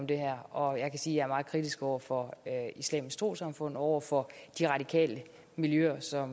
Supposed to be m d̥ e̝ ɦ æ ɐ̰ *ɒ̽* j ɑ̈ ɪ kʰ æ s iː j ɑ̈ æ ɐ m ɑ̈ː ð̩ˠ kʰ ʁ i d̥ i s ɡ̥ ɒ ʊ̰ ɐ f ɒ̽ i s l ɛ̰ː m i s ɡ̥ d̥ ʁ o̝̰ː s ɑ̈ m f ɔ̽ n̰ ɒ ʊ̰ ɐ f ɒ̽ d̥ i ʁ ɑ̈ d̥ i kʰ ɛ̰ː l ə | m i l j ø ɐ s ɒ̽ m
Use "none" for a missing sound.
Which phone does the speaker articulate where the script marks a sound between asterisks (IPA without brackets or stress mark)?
ɒ̽